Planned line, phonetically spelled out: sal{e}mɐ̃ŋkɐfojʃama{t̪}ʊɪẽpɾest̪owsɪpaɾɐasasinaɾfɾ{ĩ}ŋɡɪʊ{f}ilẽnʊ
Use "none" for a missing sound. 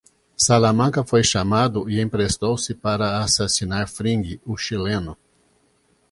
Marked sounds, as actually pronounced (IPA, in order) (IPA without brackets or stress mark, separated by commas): a, d̪, ĩ, ʃ